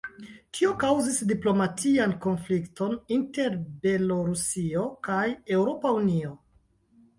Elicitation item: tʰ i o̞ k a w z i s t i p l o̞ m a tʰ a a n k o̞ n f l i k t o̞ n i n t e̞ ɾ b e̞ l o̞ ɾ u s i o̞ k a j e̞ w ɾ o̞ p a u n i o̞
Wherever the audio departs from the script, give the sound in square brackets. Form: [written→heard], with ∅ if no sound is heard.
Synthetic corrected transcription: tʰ i o̞ k a w z i s [t→d] i p l o̞ m a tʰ [a→i] a n k o̞ n f l i k t o̞ n i n t e̞ ɾ b e̞ l o̞ ɾ u s i o̞ k a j e̞ w ɾ o̞ p a u n i o̞